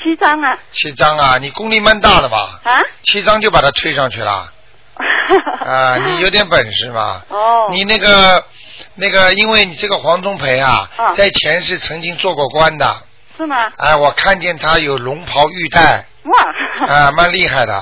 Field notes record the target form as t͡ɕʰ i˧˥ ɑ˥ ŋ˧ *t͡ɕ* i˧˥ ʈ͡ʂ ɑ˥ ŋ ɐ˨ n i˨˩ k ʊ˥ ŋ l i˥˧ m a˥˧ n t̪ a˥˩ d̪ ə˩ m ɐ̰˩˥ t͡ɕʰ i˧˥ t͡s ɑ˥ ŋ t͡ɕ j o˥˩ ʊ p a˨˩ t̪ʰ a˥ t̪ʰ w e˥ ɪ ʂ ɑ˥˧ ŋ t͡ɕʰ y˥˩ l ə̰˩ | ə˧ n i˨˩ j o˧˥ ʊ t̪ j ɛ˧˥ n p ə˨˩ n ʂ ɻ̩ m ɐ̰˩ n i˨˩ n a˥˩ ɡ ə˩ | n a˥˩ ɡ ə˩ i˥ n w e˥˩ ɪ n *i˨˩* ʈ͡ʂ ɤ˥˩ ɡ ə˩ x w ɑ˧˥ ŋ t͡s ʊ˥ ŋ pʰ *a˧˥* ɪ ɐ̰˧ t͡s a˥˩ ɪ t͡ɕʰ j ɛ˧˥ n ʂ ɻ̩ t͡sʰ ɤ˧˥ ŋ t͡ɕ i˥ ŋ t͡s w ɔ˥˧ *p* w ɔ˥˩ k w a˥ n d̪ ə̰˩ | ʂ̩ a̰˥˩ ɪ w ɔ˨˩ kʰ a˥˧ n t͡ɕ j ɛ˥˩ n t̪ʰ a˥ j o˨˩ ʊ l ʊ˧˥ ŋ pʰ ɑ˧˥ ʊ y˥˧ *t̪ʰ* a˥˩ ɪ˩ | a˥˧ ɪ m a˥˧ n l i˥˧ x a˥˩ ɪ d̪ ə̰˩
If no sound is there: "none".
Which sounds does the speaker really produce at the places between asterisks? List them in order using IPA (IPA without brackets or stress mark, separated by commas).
t͡ɕʰ, i˨˩, e˧˥, k, t̪